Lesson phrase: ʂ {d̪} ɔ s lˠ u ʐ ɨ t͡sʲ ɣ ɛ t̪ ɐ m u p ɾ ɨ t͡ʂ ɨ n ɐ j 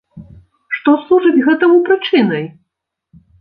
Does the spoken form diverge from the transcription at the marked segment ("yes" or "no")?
yes